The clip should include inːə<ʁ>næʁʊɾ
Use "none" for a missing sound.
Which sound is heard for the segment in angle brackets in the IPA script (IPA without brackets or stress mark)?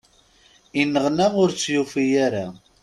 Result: ʁ